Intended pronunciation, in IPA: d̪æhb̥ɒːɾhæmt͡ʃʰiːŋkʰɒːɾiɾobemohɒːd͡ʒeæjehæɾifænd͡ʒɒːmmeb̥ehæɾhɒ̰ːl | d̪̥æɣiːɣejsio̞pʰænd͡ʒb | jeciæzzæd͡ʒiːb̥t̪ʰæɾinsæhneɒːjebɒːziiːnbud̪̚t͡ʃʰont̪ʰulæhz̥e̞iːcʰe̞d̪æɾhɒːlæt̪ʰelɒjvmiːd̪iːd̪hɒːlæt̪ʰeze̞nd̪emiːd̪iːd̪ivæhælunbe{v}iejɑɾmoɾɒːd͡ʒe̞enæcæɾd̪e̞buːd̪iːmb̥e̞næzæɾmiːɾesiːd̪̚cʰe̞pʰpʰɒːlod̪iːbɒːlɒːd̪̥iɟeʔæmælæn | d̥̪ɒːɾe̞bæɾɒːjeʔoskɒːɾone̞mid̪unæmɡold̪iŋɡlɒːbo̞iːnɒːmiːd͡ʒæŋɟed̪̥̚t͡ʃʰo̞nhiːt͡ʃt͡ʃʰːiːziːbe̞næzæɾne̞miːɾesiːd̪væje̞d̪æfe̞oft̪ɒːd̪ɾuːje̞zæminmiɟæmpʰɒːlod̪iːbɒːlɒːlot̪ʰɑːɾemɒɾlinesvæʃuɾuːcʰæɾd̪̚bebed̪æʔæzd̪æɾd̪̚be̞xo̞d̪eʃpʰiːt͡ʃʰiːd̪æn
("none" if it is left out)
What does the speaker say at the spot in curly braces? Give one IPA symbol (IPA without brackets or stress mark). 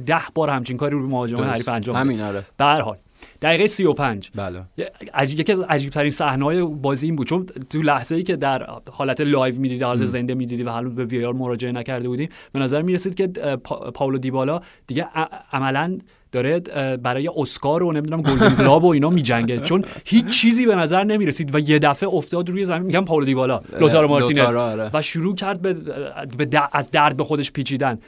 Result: v